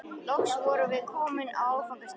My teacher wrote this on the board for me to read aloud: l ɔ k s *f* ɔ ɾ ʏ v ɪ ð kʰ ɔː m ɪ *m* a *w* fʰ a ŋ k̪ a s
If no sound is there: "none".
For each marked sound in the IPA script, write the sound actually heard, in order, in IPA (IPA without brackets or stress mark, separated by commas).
v, n, w